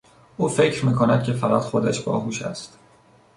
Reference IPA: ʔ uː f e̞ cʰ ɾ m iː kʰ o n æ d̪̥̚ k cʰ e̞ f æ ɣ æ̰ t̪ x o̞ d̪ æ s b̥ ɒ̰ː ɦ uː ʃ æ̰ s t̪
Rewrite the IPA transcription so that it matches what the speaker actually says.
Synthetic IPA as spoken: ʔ uː f e̞ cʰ ɾ m iː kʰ o n æ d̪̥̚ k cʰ e̞ f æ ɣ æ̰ t̪ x o̞ d̪ æ ʃ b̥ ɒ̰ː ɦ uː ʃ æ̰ s t̪